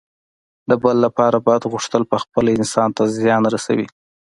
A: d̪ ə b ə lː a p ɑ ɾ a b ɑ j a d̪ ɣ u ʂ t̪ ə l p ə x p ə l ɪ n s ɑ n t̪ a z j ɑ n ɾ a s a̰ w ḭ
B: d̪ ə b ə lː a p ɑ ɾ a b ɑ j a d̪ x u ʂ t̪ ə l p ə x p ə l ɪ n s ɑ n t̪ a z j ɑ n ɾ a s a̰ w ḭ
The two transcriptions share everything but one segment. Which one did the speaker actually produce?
A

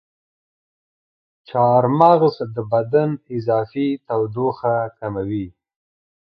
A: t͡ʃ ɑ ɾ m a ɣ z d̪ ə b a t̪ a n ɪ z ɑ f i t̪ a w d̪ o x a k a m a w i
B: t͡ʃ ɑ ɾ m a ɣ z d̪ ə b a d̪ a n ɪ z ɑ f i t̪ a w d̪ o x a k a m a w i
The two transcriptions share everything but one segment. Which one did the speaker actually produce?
B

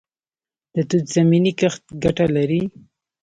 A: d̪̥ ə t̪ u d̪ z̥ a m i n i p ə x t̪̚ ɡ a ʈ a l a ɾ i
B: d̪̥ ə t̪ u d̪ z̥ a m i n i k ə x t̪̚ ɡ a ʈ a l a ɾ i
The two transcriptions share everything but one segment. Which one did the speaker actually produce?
B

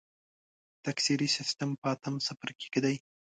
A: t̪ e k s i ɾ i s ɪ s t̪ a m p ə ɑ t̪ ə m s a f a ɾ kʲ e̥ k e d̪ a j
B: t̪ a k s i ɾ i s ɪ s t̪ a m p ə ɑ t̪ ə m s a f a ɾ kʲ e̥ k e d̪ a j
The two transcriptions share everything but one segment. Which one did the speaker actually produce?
B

